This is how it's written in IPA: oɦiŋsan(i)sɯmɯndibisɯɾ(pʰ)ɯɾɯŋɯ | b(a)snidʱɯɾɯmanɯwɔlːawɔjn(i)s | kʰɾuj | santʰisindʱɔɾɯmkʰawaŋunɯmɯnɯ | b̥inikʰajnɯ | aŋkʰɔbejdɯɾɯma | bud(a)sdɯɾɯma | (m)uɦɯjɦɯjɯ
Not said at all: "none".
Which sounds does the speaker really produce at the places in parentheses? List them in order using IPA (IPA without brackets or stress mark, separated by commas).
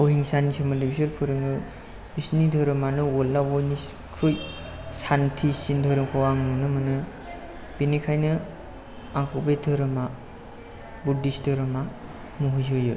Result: i, pʰ, i, i, i, m